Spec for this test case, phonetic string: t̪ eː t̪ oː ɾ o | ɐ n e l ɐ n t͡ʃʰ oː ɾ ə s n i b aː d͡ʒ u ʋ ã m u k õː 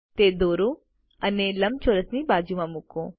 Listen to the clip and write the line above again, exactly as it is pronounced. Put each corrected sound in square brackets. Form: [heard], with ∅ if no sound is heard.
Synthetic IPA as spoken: t̪ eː [d̪] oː ɾ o | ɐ n e l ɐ [m] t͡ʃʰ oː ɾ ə s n i b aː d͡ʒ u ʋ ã m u k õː